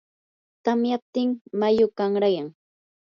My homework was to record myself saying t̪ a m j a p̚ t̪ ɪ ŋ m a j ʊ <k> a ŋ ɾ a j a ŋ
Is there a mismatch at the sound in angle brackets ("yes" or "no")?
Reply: no